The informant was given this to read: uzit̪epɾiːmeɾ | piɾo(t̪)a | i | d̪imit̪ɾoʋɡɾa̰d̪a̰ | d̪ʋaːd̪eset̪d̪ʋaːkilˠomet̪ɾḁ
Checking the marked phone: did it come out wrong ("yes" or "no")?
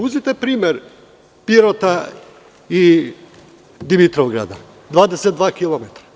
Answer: no